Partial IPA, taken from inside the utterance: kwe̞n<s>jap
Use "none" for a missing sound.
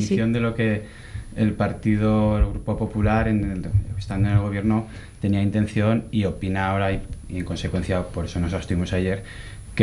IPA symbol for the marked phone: θ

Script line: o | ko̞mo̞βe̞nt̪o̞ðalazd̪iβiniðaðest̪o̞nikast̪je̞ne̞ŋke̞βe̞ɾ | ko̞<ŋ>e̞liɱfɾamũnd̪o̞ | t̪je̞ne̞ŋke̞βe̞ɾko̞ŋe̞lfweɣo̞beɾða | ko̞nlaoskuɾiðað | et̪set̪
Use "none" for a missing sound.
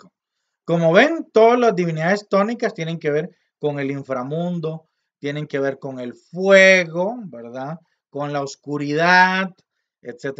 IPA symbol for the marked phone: ŋ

